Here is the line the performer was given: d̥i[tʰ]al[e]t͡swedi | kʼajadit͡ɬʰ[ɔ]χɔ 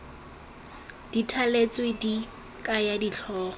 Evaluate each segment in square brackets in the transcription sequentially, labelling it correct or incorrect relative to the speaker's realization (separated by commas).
correct, correct, incorrect